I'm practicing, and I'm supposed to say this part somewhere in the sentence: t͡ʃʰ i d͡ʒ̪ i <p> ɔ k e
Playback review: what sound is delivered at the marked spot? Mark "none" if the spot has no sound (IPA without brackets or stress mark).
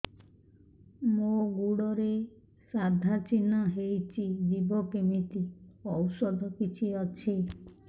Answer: b